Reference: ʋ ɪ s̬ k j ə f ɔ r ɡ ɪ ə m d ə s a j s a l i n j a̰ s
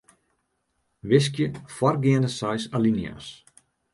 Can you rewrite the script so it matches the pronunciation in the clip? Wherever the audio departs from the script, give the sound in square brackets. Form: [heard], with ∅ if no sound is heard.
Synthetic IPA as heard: ʋ ɪ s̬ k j ə f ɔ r ɡ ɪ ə [n] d ə s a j s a l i n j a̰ s

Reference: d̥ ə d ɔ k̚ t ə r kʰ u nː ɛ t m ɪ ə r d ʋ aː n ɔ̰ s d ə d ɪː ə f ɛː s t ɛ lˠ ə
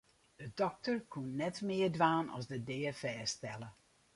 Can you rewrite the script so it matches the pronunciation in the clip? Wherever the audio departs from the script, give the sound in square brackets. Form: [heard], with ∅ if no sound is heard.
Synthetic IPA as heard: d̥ ə d ɔ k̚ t ə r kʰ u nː ɛ t m ɪ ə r d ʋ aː n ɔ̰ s d ə d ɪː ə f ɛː s t ɛ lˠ ə

